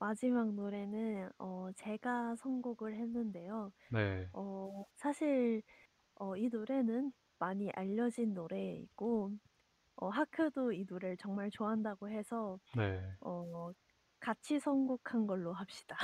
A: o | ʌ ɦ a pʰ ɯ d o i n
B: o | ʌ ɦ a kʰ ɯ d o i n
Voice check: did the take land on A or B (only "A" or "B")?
B